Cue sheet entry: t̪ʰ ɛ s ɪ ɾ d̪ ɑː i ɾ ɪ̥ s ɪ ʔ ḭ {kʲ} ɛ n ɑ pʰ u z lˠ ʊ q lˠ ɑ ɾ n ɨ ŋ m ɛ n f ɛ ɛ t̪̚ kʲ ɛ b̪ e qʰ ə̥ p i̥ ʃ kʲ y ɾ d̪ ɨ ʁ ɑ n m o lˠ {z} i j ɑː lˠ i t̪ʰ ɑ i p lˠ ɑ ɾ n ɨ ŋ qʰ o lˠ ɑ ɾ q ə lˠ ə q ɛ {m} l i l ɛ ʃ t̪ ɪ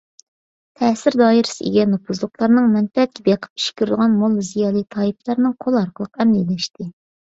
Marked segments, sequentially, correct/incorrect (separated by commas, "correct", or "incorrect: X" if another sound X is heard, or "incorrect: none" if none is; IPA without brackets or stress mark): incorrect: ɡʲ, correct, correct